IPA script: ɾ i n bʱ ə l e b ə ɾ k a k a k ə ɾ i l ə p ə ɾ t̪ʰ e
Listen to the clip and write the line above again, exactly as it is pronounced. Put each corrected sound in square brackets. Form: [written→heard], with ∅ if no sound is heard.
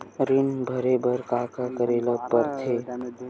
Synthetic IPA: ɾ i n bʱ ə [l→ɾ] e b ə ɾ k a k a k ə ɾ [i→e] l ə p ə ɾ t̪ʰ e